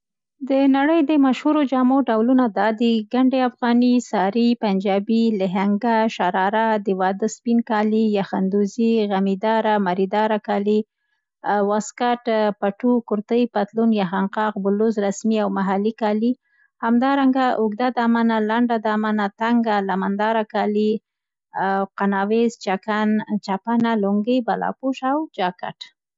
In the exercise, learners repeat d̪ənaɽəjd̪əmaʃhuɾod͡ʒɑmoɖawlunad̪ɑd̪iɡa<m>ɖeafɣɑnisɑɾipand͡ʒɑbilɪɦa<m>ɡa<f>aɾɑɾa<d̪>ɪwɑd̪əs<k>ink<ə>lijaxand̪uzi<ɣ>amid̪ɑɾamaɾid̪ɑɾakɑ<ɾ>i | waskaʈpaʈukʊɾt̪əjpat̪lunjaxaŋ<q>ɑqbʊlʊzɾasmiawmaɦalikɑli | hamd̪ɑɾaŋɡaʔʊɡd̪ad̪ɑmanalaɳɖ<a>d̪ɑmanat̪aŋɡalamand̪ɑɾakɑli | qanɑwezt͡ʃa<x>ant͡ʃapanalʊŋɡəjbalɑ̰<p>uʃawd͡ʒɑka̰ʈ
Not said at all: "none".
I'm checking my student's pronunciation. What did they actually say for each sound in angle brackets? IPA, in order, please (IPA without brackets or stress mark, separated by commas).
ɳ, ŋ, ʃ, d̪, p, ɑ, ɣ, l, q, a, k, p